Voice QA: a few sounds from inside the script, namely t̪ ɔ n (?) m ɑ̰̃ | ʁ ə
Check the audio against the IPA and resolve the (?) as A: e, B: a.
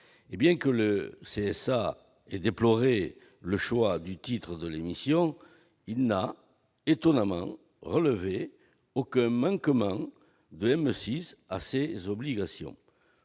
B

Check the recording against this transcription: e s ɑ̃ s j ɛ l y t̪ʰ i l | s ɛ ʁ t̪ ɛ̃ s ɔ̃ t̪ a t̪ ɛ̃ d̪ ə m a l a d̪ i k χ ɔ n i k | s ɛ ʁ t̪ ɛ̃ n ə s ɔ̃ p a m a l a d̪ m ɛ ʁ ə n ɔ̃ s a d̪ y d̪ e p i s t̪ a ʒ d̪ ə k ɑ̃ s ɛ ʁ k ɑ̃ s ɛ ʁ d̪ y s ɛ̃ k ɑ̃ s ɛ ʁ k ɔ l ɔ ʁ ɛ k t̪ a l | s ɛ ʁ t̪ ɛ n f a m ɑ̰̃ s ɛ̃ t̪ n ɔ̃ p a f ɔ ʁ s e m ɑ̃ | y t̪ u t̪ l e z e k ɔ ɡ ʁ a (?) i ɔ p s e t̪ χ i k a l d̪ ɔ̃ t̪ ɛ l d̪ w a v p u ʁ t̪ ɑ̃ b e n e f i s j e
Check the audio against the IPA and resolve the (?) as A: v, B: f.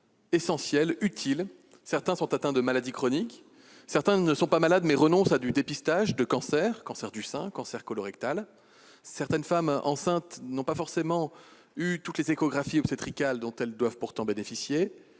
B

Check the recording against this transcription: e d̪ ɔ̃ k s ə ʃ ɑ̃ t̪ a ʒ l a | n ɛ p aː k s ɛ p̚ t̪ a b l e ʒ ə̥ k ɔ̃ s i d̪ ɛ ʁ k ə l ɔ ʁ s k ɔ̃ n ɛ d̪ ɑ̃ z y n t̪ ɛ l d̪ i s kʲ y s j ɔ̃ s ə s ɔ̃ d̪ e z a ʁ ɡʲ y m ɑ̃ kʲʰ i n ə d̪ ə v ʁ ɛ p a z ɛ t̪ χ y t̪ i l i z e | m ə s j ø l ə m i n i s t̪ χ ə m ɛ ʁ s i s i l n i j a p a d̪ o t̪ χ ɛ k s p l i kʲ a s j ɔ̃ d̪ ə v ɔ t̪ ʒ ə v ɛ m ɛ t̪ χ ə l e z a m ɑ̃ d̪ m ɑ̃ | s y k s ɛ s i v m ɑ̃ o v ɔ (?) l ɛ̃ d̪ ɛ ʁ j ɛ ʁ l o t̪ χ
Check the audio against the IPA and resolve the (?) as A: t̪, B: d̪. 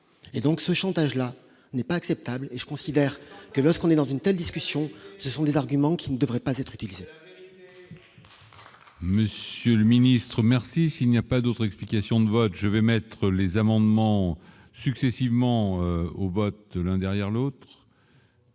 A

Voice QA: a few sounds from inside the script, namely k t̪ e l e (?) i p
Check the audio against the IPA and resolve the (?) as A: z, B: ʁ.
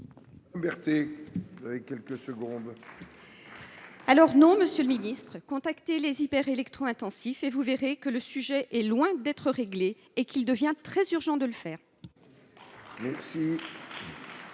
A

